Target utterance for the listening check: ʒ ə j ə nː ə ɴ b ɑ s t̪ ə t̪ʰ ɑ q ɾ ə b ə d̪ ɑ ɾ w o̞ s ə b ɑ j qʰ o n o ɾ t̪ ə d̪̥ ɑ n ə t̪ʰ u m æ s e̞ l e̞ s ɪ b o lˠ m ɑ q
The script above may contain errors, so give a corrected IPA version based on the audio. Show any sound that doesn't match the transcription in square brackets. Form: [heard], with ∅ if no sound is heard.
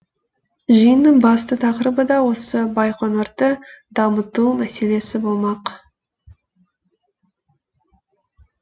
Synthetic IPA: ʒ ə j ə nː ə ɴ b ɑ s t̪ ə t̪ʰ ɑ q ɾ ə b ə d̪ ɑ [∅] w o̞ s ə b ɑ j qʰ o n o ɾ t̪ ə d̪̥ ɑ [m] ə [t̪] u m æ s e̞ l e̞ s ɪ b o lˠ m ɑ q